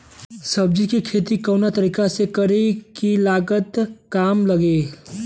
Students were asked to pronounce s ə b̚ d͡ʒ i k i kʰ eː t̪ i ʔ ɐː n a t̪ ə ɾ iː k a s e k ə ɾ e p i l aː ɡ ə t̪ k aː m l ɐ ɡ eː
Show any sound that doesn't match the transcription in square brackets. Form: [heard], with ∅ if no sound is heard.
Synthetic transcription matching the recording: s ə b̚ d͡ʒ i k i kʰ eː t̪ i [k] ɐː n a t̪ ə ɾ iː k a s e k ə ɾ e [k] i l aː ɡ ə t̪ k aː m l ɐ ɡ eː